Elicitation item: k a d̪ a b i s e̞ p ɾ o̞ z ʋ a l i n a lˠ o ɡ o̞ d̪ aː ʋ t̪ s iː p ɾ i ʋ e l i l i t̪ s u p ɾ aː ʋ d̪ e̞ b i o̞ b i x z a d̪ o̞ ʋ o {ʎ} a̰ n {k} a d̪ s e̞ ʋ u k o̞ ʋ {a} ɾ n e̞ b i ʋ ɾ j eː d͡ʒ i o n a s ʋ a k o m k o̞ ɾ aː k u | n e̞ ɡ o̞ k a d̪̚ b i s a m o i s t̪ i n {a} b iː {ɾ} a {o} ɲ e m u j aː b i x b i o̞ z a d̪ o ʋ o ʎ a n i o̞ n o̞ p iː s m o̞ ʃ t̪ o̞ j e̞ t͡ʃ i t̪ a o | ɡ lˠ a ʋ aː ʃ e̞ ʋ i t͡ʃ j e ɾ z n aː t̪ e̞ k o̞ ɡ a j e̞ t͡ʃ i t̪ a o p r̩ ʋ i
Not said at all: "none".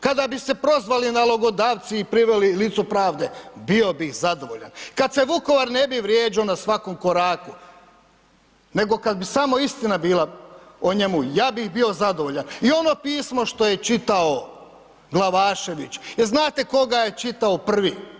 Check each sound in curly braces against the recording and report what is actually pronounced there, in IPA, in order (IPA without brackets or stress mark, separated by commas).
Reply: ʎ, k, a, a, l, o